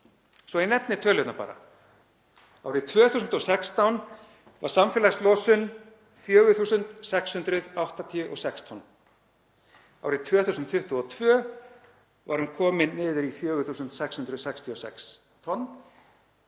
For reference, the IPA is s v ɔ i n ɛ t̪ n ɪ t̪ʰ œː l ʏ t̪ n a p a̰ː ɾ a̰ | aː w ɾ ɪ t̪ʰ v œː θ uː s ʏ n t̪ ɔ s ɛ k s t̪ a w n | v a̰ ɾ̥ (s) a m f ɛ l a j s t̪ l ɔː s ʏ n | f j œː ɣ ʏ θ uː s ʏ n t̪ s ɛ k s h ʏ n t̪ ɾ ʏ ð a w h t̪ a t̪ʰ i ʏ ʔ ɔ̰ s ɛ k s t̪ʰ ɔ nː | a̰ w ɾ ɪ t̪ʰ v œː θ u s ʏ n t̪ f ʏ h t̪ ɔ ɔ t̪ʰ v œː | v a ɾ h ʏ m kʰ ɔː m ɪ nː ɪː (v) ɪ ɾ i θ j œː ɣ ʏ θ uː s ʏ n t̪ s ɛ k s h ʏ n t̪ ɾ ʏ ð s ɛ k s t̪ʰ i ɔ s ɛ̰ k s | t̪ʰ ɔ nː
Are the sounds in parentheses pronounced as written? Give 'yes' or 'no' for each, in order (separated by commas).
yes, no